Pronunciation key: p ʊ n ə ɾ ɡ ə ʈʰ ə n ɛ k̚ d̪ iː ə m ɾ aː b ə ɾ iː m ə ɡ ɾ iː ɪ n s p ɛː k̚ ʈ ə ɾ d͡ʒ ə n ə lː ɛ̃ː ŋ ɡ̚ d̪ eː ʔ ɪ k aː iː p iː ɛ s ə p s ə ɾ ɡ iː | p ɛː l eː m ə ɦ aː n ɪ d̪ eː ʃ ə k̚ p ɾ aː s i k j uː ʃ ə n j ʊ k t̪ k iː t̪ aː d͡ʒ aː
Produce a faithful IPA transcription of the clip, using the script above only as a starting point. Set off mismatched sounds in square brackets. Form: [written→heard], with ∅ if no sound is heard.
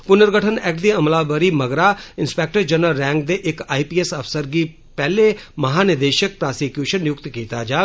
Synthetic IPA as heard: p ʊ n ə ɾ ɡ ə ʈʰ ə n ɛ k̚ d̪ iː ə m [ɾ→l] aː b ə ɾ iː m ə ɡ ɾ [iː→aː] ɪ n s p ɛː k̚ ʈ ə ɾ d͡ʒ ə n ə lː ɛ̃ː ŋ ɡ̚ d̪ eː ʔ ɪ k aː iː p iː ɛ s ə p s ə ɾ ɡ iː | p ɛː l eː m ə ɦ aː n ɪ d̪ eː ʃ ə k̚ p ɾ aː s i k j uː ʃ ə n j ʊ k t̪ k iː t̪ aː d͡ʒ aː